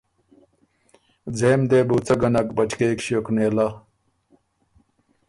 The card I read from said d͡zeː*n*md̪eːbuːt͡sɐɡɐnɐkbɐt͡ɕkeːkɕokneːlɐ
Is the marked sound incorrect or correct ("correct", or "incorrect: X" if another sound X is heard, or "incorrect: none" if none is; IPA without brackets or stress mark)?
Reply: incorrect: none